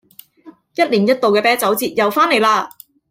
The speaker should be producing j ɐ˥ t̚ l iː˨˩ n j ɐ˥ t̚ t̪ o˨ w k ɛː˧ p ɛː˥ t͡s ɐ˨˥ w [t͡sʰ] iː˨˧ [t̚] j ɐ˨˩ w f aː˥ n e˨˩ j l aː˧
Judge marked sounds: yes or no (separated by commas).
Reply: no, yes